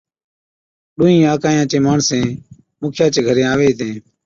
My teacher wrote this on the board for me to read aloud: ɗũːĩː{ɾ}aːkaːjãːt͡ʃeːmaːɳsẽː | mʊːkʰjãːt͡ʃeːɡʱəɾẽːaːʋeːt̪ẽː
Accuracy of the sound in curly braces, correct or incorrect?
incorrect